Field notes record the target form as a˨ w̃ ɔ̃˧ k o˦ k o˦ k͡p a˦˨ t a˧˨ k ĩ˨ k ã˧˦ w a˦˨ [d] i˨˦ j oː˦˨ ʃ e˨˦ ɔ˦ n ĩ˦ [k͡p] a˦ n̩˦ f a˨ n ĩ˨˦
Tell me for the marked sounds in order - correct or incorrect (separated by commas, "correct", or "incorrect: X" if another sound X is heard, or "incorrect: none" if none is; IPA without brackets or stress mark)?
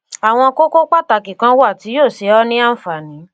incorrect: t, incorrect: none